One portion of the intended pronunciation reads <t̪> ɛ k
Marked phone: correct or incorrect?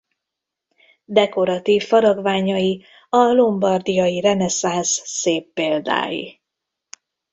incorrect